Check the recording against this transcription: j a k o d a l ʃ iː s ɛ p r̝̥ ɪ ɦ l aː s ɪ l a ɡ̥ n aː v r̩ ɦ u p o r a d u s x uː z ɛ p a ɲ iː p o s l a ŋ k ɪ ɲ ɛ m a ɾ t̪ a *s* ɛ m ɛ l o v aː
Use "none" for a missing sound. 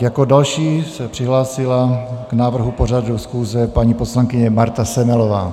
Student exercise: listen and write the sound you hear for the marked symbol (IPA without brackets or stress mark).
s